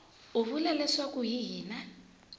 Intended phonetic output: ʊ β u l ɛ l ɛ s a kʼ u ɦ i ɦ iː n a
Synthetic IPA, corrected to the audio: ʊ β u l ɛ l ɛ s a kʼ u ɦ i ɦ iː n a